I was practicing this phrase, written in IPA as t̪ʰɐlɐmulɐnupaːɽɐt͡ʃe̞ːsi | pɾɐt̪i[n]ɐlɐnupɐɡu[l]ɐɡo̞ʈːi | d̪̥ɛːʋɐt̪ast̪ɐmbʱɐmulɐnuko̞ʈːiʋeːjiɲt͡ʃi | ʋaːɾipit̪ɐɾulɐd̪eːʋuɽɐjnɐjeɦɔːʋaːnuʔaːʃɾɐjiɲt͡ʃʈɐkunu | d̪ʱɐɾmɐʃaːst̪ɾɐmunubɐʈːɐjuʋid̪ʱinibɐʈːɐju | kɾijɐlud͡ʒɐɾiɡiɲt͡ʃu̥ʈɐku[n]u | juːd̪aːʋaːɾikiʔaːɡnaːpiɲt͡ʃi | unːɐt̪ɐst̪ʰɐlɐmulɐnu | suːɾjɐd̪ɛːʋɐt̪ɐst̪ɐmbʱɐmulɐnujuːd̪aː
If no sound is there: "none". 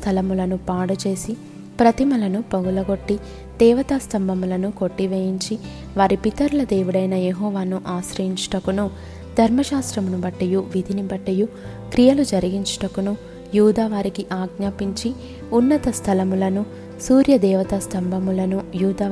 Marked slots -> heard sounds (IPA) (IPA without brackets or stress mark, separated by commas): m, l, n